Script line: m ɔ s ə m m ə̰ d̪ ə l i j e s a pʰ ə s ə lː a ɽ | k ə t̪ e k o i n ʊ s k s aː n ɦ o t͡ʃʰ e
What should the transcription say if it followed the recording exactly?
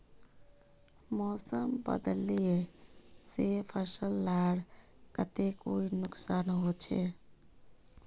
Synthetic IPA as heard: m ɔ s ə m b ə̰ d̪ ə l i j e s e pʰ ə s ə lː a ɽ | k ə t̪ e k o i n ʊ k s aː n ɦ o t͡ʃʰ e